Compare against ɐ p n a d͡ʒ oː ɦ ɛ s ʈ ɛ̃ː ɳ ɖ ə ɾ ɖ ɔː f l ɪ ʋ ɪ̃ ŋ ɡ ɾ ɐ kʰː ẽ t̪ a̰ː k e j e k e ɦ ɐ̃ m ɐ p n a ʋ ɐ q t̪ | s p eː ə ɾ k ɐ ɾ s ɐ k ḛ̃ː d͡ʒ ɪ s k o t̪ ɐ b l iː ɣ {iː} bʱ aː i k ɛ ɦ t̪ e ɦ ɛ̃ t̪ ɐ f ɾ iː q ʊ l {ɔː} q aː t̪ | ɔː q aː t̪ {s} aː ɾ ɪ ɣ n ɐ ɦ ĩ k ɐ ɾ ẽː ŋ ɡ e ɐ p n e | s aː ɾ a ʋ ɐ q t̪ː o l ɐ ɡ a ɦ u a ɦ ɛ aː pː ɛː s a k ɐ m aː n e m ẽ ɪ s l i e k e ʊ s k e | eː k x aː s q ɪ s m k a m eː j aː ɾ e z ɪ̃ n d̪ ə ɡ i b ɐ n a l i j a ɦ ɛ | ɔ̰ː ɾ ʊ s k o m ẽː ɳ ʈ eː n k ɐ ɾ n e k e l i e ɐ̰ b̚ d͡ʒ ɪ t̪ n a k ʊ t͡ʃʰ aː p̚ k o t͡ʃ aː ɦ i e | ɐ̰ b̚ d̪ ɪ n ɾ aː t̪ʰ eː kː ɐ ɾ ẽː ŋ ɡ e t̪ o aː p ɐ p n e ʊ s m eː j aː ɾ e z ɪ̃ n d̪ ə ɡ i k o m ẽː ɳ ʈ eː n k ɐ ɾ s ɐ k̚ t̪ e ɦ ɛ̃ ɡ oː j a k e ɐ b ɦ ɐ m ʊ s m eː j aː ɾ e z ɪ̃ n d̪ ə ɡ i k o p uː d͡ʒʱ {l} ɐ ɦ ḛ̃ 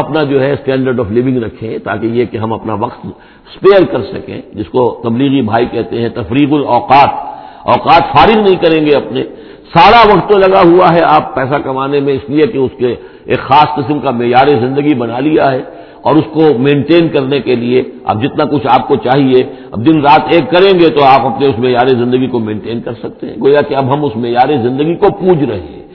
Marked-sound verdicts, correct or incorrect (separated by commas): incorrect, correct, incorrect, incorrect